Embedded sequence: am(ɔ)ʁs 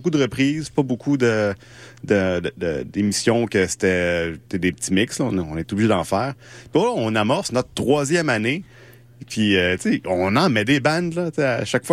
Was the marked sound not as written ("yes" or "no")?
no